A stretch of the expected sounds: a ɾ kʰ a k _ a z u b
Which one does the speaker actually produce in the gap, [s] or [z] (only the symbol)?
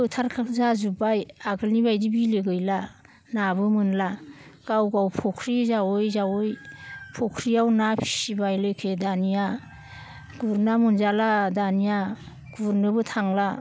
z